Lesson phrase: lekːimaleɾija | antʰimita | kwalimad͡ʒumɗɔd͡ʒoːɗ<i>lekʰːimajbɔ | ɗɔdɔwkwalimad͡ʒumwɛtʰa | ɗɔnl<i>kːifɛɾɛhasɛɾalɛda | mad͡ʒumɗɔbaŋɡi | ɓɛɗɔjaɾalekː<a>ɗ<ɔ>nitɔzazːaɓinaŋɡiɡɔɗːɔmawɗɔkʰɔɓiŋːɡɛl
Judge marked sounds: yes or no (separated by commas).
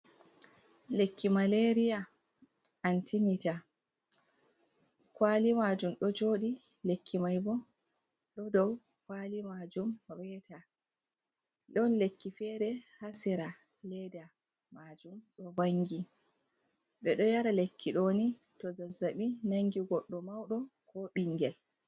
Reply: yes, no, no, no